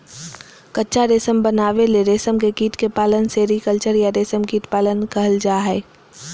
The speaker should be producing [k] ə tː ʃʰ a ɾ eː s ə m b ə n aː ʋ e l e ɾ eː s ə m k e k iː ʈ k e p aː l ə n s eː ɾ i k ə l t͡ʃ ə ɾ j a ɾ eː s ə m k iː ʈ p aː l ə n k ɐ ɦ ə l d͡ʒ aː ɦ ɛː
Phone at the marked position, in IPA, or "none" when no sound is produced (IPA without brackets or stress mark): k